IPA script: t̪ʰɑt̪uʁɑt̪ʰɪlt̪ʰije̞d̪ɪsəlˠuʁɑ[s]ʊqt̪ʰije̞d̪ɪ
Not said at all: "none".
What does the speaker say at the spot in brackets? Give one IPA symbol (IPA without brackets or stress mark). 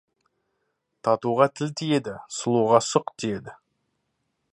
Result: s